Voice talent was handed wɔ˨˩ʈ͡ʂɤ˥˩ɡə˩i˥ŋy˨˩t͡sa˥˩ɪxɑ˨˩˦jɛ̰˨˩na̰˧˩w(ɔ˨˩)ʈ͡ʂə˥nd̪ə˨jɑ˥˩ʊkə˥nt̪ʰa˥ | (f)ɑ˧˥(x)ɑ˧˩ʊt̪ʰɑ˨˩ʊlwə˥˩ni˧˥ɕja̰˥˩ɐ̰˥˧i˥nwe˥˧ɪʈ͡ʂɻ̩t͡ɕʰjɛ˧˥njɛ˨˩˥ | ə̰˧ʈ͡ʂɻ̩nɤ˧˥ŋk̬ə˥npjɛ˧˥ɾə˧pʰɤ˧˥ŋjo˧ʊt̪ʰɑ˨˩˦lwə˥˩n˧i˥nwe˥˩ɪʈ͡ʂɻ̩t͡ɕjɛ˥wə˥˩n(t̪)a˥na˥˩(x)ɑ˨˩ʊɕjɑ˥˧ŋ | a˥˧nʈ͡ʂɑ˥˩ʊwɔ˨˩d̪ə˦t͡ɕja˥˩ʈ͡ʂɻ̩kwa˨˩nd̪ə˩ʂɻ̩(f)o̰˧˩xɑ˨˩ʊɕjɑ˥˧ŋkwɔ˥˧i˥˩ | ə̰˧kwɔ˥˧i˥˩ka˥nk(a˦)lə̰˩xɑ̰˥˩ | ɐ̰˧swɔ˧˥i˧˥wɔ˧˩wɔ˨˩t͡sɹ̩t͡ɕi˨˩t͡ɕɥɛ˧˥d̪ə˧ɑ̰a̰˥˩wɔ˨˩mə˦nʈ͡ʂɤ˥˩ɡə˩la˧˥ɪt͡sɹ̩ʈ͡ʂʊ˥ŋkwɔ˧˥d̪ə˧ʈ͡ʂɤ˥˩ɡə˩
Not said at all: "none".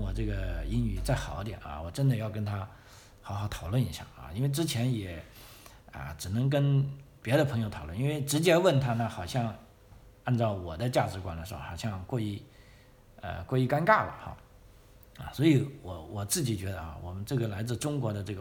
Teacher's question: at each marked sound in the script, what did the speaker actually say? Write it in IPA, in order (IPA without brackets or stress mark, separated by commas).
ɔ˨˩, x, x, t̪ʰ, x, x, a˥˩